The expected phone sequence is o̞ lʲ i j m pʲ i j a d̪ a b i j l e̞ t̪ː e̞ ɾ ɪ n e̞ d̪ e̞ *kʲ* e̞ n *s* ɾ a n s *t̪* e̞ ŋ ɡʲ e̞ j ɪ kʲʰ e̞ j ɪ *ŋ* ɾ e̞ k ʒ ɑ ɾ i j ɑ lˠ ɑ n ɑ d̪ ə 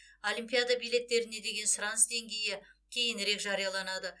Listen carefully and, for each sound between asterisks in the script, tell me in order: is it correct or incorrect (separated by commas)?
incorrect, correct, incorrect, incorrect